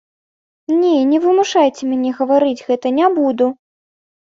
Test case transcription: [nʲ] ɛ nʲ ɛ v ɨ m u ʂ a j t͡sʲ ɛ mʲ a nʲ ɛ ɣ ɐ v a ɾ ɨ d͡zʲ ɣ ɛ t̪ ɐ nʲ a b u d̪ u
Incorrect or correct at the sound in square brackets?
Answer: correct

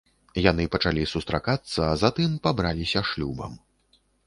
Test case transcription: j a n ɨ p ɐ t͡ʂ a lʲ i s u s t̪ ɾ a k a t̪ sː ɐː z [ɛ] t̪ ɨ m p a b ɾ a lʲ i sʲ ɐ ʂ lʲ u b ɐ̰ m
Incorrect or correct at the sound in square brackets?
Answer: incorrect: a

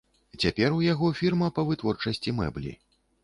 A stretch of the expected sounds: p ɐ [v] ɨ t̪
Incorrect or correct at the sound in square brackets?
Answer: correct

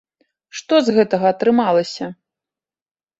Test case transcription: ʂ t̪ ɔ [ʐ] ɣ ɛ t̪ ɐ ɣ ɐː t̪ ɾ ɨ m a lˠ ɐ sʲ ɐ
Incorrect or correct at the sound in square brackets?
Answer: incorrect: z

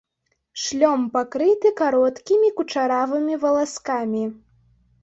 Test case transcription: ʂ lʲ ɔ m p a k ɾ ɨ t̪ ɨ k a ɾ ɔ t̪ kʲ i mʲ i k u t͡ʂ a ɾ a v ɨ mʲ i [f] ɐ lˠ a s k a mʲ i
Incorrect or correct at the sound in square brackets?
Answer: incorrect: v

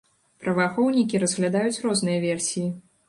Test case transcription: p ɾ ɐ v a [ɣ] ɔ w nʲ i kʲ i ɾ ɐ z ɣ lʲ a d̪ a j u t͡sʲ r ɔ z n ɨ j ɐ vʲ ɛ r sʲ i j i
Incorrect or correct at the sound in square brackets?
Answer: incorrect: x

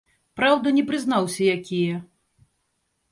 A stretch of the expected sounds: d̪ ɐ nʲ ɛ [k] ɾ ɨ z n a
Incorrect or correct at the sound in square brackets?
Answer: incorrect: p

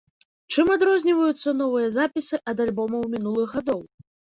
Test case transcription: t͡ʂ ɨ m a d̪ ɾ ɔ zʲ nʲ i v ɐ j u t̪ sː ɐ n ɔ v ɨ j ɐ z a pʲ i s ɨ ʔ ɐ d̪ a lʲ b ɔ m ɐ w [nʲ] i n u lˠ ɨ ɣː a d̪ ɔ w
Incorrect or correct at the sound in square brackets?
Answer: incorrect: mʲ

